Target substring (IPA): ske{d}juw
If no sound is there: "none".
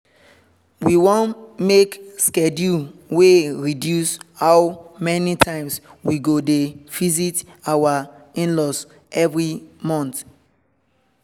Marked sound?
d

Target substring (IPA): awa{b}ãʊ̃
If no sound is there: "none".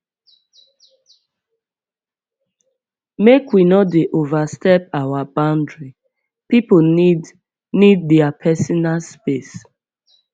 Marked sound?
b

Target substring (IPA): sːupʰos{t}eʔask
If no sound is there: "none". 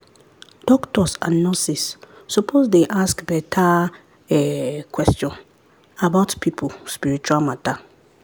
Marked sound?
d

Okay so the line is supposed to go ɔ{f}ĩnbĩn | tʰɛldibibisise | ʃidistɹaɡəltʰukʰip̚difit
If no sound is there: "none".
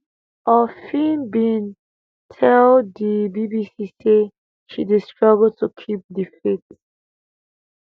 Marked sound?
f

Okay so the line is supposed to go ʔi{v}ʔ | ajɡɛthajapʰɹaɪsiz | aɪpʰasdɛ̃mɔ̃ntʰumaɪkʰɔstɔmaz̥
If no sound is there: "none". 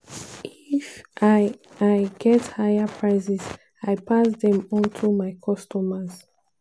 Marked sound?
f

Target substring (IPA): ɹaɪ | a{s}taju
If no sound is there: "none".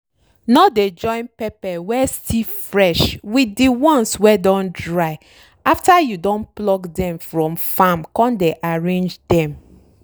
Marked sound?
f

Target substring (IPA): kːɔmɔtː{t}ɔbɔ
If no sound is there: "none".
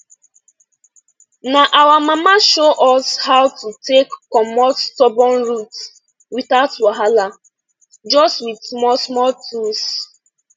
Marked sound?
t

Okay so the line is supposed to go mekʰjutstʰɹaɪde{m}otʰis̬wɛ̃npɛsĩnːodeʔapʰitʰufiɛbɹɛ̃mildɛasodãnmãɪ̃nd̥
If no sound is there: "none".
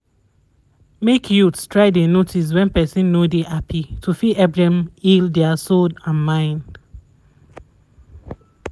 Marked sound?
n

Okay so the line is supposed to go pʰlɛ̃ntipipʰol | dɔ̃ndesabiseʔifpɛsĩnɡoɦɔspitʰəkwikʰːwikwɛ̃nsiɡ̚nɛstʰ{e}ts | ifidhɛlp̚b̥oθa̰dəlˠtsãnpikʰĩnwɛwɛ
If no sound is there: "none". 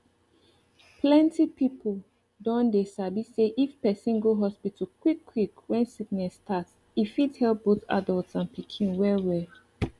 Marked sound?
a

